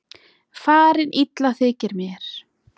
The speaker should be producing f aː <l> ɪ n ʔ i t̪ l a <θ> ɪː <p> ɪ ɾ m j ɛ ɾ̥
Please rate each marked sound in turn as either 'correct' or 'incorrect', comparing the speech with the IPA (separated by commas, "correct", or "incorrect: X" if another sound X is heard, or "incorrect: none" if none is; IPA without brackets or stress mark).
incorrect: ɾ, correct, incorrect: c